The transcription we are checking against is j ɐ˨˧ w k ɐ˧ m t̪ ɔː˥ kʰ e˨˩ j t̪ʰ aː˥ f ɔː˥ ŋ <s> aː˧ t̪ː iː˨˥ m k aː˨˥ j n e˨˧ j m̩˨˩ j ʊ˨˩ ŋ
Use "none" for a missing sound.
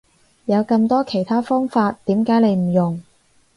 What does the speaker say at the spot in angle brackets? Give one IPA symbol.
f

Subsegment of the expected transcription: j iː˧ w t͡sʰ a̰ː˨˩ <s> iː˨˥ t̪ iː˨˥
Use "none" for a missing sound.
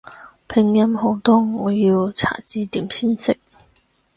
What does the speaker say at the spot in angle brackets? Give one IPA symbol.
t͡s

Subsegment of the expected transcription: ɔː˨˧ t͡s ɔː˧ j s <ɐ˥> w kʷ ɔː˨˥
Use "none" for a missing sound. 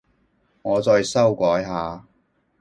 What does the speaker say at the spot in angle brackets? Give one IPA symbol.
ɐ˥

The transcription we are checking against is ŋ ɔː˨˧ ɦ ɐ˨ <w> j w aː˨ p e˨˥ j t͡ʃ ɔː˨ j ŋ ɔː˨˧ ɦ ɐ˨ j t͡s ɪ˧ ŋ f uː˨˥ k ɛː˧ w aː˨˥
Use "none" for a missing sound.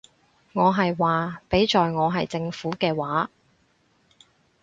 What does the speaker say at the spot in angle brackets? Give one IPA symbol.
none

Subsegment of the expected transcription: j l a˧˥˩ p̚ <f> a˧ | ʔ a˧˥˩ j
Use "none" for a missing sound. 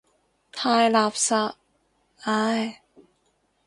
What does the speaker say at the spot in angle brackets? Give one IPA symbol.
s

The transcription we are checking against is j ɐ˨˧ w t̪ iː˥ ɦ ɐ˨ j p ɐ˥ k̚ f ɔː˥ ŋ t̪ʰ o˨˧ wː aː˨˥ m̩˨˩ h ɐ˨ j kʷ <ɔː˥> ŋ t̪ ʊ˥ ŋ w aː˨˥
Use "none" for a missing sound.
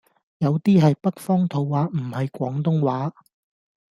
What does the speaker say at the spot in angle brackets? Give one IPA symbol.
ɔː˨˥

